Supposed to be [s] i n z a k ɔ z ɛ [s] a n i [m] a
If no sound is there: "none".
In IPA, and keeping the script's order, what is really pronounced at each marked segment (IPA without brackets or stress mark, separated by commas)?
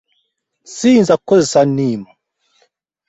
s, s, m